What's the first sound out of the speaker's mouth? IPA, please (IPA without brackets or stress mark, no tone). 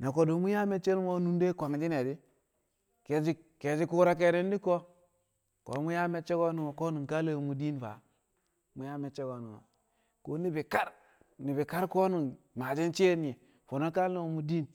n